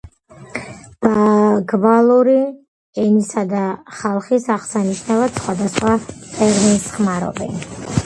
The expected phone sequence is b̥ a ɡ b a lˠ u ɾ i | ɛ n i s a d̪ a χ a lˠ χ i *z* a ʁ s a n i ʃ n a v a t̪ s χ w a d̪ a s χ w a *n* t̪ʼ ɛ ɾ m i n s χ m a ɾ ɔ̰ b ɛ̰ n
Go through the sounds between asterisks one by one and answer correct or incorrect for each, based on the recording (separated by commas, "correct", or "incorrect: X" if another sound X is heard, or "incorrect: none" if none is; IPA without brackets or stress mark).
incorrect: s, incorrect: none